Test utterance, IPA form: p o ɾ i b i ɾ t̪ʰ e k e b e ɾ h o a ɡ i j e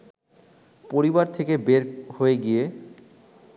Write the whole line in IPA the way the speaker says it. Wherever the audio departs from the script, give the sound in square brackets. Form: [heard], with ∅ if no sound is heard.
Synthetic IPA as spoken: p o ɾ i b [a] ɾ t̪ʰ e k e b e ɾ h o [e] ɡ i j e